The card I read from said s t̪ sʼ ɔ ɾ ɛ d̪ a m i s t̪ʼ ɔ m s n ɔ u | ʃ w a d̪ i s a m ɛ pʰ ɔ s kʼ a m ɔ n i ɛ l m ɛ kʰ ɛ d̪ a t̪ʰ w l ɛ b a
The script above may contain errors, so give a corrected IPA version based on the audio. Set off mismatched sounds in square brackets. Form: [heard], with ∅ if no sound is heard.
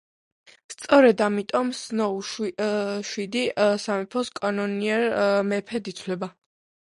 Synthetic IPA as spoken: s t̪ sʼ ɔ ɾ ɛ d̪ a m i [∅] t̪ʼ ɔ m s n ɔ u | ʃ w [i] d̪ i s a m ɛ pʰ ɔ s kʼ a [n] ɔ n i ɛ [ɾ] m ɛ [pʰ] ɛ d̪ [i] t̪ʰ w l ɛ b a